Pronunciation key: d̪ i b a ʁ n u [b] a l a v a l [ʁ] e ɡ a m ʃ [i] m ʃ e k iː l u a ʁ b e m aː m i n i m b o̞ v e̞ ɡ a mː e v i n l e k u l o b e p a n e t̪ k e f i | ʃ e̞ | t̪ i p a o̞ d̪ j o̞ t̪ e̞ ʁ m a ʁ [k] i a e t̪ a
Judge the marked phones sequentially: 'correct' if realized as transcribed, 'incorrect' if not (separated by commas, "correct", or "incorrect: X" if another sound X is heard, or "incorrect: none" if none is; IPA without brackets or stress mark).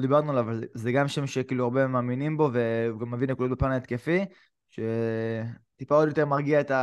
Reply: incorrect: none, incorrect: z, incorrect: e, incorrect: ɡ